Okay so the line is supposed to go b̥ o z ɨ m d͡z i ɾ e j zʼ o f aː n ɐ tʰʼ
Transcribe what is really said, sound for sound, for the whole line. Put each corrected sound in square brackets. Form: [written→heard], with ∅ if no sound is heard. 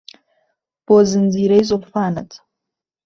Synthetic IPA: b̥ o z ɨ [m→n] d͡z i ɾ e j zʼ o f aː n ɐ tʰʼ